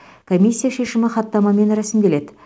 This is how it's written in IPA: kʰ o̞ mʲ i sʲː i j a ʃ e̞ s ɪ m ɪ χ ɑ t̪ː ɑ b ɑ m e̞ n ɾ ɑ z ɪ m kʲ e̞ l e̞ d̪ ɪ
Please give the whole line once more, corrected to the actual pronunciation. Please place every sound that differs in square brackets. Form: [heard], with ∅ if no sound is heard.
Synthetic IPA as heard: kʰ o̞ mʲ i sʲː i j a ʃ e̞ [ʃ] ɪ m ɪ χ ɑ t̪ː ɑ [m] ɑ m e̞ n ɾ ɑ [s] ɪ m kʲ e̞ l e̞ d̪ ɪ